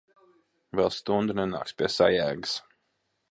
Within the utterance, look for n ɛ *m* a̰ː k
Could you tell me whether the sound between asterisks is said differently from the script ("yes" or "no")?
yes